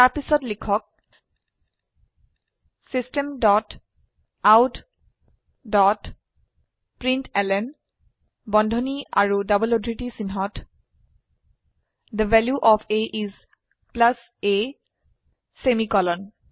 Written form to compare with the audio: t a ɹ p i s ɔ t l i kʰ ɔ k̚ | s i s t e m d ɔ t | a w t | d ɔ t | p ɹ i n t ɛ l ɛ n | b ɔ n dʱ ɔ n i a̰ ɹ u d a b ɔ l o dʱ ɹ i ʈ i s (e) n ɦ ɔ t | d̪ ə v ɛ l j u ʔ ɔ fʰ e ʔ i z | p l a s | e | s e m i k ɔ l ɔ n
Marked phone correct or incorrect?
incorrect